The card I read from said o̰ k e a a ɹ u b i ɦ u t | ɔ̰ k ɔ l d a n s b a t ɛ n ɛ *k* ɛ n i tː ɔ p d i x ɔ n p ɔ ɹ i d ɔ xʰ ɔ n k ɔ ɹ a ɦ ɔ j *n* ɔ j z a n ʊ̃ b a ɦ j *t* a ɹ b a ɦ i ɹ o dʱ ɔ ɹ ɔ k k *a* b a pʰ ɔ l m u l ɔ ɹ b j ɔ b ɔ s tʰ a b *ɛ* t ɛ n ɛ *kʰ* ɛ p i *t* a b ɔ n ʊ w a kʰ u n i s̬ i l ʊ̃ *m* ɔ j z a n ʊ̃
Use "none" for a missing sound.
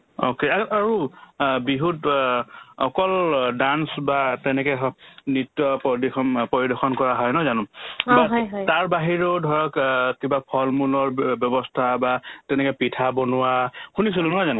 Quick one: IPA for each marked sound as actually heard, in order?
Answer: k, n, t, i, a, k, tʰ, n

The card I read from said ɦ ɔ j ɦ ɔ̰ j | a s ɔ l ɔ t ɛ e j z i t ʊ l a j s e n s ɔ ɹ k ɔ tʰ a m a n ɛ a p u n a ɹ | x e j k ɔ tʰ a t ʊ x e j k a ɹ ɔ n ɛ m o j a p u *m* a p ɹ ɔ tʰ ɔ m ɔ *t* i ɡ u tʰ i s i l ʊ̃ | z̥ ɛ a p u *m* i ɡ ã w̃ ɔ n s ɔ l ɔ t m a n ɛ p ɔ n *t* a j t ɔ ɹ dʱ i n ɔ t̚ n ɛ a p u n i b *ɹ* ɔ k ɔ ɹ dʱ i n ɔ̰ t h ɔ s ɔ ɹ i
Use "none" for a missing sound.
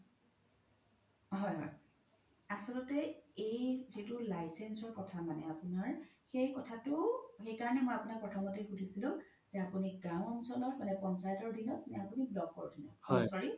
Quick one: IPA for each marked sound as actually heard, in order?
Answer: n, t, n, s, l

